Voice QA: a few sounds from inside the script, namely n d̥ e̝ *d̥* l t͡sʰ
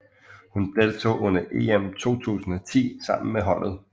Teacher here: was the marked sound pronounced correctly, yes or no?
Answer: no